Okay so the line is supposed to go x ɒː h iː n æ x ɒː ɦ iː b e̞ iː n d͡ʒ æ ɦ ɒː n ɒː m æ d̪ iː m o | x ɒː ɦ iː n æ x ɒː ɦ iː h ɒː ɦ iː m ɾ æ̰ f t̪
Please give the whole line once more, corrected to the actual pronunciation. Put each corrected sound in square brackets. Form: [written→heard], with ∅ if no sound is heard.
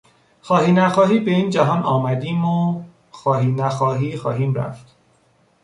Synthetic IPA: x ɒː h iː n æ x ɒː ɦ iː b e̞ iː n d͡ʒ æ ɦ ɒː n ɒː m æ d̪ iː m o | x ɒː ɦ iː n æ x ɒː ɦ iː [h→x] ɒː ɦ iː m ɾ æ̰ f t̪